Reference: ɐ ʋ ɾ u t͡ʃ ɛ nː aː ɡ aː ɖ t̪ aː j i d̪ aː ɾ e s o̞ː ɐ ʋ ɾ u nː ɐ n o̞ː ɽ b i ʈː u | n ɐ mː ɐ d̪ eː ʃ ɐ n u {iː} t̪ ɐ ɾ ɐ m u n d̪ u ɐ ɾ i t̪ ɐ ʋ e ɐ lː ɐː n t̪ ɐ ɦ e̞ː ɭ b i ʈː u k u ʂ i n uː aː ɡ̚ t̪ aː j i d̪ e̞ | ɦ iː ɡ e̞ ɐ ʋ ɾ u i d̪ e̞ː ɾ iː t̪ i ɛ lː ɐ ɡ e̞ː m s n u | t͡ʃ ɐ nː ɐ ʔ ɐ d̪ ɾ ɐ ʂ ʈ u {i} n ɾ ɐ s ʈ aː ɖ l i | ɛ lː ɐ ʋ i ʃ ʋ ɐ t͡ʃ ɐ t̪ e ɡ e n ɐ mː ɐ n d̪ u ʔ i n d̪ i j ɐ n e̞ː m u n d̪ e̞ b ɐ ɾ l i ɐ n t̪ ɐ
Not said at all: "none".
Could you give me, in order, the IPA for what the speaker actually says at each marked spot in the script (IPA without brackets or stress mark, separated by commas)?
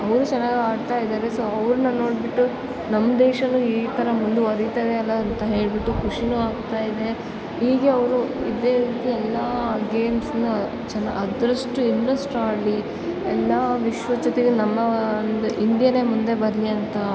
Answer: iː, i